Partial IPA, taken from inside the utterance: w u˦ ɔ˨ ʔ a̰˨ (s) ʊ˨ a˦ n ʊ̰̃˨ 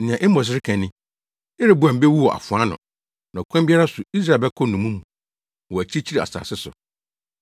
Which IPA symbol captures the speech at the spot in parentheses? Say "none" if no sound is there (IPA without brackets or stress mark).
f